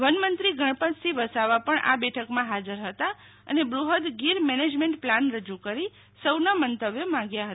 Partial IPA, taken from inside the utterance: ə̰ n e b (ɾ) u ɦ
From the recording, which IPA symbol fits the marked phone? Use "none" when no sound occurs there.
ɾ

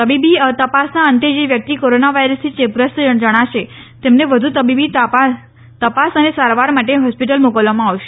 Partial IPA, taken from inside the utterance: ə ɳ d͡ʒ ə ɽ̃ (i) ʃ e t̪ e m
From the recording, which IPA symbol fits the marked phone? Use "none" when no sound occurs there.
a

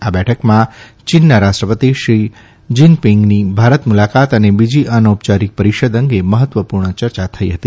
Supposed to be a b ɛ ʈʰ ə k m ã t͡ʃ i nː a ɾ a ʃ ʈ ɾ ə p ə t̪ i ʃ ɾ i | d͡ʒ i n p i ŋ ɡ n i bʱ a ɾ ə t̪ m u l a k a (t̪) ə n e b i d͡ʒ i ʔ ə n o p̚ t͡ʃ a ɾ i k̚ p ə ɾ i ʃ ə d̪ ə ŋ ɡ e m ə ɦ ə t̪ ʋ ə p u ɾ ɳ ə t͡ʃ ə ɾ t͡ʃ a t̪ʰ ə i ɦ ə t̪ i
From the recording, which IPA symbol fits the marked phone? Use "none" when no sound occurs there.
t̪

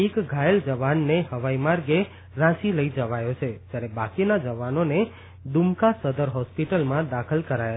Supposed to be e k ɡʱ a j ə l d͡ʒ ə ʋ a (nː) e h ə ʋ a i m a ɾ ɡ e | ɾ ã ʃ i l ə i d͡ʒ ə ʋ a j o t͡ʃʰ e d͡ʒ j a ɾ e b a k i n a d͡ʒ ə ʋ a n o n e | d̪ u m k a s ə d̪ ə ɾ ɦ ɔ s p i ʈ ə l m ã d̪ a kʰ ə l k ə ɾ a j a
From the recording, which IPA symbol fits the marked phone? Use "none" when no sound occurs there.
nː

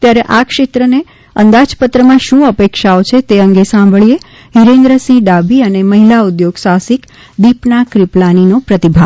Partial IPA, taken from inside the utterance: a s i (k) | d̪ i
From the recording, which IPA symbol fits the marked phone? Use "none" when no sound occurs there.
k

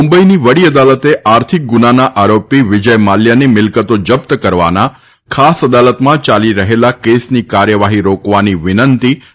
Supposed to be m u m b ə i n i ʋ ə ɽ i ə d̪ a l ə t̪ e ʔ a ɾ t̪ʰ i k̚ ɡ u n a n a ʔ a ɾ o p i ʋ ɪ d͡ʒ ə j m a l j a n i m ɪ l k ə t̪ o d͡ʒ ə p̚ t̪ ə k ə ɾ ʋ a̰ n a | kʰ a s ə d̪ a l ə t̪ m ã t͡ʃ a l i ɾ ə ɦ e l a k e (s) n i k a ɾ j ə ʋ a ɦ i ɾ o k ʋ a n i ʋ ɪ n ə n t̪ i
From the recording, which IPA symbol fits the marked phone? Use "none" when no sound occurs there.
s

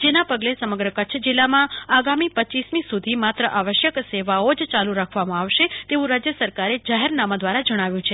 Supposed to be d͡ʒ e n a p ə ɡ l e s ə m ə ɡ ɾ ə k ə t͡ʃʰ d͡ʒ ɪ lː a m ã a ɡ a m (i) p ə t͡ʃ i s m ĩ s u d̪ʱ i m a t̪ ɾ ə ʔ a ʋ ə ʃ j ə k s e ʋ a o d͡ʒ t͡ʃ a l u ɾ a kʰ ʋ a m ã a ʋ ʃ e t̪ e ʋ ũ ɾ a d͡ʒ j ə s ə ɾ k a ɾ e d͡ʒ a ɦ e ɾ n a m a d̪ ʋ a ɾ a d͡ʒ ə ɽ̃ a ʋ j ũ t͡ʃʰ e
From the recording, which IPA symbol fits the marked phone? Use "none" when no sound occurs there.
i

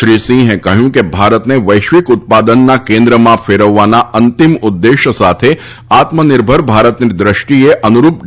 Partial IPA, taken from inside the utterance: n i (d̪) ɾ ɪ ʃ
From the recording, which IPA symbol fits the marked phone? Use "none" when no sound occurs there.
d̪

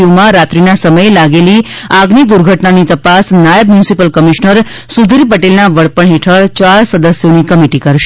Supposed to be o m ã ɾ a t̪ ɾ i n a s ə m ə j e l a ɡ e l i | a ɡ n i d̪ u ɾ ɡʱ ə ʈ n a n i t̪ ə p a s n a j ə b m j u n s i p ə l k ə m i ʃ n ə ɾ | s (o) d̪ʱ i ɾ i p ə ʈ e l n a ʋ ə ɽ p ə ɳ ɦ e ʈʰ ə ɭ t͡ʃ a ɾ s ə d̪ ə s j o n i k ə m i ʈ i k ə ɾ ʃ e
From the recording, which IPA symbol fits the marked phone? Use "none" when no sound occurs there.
u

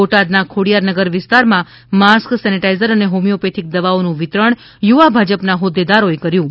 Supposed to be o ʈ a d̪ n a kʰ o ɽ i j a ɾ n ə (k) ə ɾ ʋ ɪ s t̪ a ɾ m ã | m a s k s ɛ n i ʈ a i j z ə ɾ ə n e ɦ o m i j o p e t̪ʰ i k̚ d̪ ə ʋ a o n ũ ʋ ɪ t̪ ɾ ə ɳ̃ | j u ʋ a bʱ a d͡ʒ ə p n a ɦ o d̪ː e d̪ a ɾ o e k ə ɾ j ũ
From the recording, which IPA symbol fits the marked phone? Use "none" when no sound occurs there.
ɡ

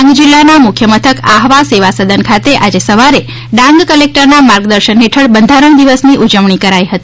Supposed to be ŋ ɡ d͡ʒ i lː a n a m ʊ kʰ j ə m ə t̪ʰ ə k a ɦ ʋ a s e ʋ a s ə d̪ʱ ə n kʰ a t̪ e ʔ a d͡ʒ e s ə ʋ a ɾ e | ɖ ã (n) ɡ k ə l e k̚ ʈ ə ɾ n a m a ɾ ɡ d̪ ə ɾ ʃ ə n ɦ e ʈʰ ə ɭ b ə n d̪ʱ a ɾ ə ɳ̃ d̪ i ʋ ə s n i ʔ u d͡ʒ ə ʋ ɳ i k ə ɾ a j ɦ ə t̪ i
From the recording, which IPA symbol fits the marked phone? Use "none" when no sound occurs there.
ŋ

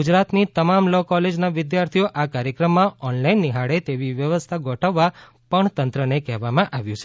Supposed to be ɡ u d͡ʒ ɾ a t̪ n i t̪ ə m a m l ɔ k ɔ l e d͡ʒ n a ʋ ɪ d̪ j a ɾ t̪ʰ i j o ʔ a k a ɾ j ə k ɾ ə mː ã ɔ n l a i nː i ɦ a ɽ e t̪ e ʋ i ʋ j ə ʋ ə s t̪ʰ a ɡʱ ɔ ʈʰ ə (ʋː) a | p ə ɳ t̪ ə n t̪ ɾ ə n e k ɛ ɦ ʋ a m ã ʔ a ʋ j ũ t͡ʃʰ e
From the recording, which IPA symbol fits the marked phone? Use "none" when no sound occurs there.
ʋː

